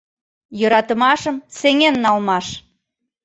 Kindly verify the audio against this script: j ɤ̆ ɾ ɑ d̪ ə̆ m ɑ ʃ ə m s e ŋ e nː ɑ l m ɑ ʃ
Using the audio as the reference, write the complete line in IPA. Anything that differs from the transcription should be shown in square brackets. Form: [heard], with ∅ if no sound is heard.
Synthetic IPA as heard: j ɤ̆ ɾ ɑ [t̪] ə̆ m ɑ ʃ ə m s e ŋ e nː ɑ l m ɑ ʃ